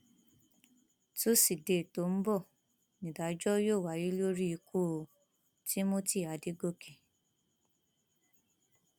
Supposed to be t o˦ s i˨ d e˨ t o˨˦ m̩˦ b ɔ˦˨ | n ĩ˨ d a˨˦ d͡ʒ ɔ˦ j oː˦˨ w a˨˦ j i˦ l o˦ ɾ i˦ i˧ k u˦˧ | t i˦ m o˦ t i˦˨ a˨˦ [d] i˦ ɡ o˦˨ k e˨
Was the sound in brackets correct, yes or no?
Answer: yes